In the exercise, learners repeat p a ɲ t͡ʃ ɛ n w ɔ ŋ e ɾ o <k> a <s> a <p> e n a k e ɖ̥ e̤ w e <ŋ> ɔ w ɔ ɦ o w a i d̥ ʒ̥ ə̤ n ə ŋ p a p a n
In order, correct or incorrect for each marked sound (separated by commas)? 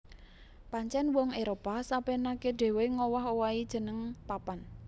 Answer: incorrect, correct, correct, correct